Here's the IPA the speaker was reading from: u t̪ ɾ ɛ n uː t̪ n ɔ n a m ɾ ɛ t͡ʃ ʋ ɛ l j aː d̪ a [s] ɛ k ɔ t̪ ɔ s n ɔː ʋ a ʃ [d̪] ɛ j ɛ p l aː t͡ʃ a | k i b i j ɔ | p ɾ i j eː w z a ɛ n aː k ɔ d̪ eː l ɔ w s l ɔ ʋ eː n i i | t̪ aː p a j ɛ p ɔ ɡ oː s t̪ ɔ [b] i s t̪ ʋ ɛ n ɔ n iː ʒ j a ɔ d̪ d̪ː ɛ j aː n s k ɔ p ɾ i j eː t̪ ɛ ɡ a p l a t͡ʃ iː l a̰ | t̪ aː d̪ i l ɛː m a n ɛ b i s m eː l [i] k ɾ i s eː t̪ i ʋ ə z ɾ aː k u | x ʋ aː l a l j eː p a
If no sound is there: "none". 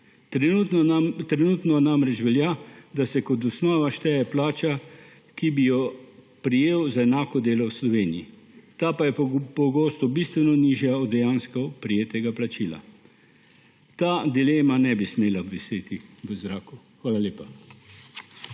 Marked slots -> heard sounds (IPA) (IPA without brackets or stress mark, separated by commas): s, t̪, b, a